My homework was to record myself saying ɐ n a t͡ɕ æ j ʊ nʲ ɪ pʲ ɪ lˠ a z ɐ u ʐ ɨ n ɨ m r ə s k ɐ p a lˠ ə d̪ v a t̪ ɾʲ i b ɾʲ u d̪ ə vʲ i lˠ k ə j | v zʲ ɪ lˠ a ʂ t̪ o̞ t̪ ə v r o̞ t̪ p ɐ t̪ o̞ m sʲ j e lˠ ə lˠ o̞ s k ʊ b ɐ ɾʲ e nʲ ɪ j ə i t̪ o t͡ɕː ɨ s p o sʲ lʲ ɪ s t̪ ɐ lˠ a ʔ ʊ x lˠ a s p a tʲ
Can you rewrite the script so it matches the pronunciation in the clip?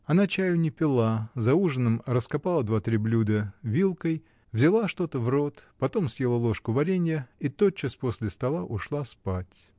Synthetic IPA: ɐ n a t͡ɕ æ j ʊ nʲ ɪ pʲ ɪ lˠ a z ɐ u ʐ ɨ n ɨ m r ə s k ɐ p a lˠ ə d̪ v a t̪ ɾʲ i b lʲ u d̪ ə vʲ i lˠ k ə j | v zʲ ɪ lˠ a ʂ t̪ o̞ t̪ ə v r o̞ t̪ p ɐ t̪ o̞ m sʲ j e lˠ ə lˠ o̞ ʂ k ʊ v ɐ ɾʲ e nʲ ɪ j ə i t̪ o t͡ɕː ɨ s p o sʲ lʲ ɪ s t̪ ɐ lˠ a ʔ ʊ ʂ lˠ a s p a tʲ